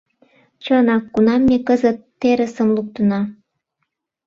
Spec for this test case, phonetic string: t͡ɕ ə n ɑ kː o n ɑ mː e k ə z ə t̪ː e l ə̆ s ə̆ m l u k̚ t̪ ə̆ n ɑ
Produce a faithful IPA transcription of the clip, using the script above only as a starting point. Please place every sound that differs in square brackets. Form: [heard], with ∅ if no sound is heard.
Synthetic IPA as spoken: t͡ɕ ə n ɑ kː [u] n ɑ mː e k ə z ə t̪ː e [ɾ] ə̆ s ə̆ m l u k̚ t̪ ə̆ n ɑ